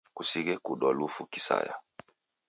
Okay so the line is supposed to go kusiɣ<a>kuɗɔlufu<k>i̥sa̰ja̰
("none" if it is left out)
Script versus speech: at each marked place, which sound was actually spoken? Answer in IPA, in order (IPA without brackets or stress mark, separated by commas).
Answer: ɛ, k